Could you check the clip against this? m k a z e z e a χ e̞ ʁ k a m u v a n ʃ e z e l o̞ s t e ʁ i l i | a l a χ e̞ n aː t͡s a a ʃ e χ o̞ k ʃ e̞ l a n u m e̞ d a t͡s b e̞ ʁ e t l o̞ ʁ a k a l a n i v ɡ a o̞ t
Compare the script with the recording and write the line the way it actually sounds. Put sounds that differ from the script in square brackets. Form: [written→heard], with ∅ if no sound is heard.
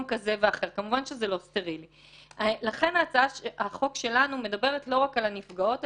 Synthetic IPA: m k a z e [z→v] e a χ e̞ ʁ k a m u v a n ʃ e z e l o̞ s t e ʁ i l i | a l a χ e̞ n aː t͡s a a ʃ [e→a] χ o̞ k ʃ e̞ l a n u m e̞ d a [t͡s→∅] b e̞ ʁ e t l o̞ ʁ a k a l a n i [v→f] ɡ a o̞ t